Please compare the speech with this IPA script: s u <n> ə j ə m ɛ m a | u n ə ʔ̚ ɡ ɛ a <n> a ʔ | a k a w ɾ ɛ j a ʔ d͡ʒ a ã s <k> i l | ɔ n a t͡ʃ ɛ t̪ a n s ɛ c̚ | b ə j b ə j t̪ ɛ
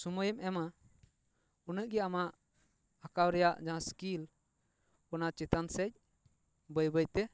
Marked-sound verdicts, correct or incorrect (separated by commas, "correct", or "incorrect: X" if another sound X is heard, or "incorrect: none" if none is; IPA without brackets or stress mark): incorrect: m, incorrect: m, correct